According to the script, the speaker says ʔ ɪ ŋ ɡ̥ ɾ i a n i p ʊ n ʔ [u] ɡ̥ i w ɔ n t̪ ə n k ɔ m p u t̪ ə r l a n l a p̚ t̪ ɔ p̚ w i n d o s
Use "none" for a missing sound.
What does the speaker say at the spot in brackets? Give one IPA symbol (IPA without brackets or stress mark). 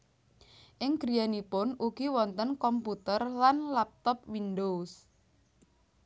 u